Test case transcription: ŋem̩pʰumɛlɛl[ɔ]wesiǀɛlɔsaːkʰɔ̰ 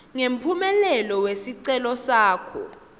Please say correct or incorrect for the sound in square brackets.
correct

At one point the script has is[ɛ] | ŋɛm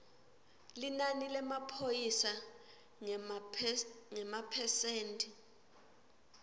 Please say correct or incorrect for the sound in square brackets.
incorrect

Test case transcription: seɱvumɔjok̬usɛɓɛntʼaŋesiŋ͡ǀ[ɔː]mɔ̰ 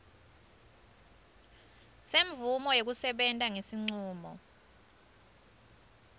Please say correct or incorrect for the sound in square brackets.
incorrect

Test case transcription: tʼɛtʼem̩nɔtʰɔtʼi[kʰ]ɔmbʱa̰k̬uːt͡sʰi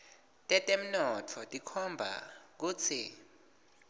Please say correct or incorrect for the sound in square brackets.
correct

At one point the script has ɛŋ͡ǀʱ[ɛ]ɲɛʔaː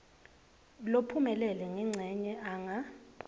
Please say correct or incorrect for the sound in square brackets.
correct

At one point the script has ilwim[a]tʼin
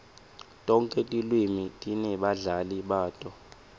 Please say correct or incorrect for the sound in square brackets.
incorrect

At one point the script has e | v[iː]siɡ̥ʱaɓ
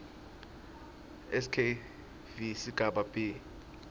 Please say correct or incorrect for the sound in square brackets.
incorrect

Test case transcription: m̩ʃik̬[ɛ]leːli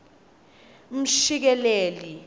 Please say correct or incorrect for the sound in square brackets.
correct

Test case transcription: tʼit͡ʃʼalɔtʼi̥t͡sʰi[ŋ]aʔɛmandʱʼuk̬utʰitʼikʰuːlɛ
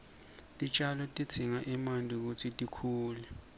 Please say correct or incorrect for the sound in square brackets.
correct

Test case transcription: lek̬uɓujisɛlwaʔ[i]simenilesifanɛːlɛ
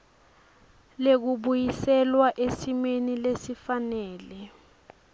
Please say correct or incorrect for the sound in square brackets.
incorrect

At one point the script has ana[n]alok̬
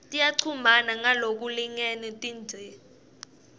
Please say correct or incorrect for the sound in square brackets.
incorrect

